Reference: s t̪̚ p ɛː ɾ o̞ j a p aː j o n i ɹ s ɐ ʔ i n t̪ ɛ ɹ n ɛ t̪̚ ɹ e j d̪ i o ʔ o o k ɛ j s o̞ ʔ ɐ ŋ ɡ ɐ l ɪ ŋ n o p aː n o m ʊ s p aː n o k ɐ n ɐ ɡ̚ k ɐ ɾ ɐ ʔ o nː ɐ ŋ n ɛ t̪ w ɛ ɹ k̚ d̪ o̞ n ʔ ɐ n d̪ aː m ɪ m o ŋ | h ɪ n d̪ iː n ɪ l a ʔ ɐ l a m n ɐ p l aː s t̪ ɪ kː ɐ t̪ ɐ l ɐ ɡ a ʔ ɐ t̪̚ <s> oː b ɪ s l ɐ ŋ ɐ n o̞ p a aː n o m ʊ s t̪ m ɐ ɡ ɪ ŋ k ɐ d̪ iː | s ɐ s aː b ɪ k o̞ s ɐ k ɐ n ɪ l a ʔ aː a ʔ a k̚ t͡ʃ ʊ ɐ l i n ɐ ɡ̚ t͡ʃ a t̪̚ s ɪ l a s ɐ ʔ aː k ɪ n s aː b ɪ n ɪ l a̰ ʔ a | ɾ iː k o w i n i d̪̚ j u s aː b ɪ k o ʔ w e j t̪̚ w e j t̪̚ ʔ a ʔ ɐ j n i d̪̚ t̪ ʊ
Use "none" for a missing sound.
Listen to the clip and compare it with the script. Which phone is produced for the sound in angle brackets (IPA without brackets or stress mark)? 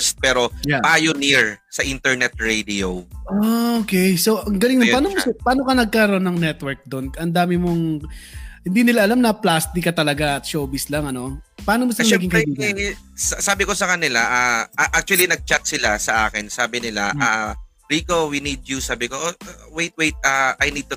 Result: ʃ